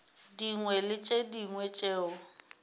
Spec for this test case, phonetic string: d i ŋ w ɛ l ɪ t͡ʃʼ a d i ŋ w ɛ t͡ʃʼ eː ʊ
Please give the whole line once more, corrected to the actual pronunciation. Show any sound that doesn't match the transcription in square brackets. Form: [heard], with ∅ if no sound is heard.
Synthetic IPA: d i ŋ w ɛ l ɪ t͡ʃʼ [e] d i ŋ w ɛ t͡ʃʼ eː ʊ